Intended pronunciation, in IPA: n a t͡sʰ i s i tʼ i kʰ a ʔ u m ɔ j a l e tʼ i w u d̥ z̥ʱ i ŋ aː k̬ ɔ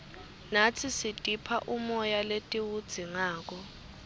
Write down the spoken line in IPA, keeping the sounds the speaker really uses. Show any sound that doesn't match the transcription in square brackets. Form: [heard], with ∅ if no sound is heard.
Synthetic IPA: n a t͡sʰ i s i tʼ i [pʰ] a ʔ u m ɔ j a l e tʼ i w u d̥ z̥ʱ i ŋ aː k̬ ɔ